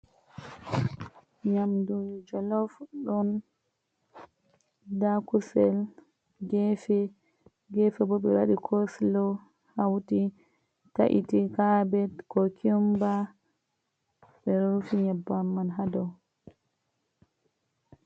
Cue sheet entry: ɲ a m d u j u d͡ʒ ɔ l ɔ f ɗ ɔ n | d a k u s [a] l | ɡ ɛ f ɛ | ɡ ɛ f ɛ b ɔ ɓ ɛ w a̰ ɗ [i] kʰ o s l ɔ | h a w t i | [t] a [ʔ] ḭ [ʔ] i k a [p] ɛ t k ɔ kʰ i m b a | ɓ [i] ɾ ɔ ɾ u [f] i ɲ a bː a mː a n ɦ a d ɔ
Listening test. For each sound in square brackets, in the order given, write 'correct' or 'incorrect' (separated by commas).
incorrect, correct, correct, correct, incorrect, incorrect, incorrect, correct